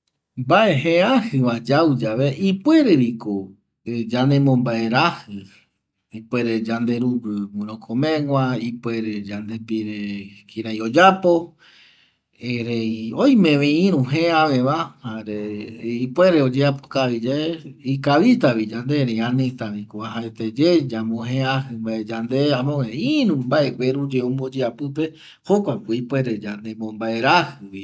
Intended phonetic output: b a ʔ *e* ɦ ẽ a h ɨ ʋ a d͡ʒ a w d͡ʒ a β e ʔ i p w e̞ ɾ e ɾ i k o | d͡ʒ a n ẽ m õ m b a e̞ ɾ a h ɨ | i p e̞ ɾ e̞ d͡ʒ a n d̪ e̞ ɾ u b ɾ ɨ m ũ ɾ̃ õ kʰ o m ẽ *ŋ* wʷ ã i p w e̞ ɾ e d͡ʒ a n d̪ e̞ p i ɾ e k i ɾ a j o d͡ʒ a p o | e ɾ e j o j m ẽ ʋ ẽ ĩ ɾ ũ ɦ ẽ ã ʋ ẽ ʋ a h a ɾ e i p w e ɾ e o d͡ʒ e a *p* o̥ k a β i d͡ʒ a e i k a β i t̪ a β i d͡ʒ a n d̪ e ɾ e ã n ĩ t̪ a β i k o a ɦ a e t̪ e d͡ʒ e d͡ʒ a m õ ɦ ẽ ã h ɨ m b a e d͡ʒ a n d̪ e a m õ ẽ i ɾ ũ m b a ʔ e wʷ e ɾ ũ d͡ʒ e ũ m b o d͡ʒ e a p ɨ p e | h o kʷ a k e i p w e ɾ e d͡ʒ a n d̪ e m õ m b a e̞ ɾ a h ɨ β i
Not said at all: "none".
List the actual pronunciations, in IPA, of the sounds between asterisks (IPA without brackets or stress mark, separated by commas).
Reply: e, ŋ, p